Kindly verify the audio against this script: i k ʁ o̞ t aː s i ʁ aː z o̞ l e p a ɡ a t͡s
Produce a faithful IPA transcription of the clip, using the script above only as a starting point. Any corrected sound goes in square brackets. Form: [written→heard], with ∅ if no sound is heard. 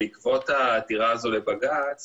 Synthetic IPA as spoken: i k [ʁ→v] o̞ t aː [s→t] i ʁ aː z o̞ l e [p→b] a ɡ a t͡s